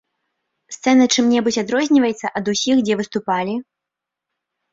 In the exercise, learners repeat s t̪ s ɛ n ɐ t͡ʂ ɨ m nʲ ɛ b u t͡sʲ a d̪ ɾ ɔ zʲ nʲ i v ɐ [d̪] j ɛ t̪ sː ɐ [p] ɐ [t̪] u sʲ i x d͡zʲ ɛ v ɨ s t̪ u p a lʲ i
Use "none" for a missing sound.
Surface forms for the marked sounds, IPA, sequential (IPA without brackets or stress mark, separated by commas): none, ʔ, d̪